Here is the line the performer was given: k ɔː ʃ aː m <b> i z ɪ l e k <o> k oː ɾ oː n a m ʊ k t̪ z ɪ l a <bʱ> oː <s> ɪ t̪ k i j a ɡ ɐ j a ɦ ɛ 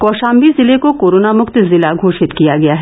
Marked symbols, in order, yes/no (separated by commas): yes, yes, no, no